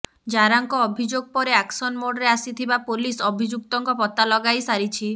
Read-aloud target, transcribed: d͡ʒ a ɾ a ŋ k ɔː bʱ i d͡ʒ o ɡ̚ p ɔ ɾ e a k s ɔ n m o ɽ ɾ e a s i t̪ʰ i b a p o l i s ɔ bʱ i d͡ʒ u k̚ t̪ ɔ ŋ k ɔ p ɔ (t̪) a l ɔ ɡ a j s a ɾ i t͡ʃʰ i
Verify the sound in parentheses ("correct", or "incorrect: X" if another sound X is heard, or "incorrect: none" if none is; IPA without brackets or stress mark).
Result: correct